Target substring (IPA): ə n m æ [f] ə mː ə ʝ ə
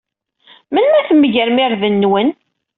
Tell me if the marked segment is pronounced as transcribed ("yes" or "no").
no